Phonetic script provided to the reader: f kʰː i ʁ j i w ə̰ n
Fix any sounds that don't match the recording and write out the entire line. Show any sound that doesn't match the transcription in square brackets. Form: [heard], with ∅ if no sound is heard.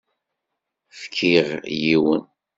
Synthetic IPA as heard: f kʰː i ʁ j i w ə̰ n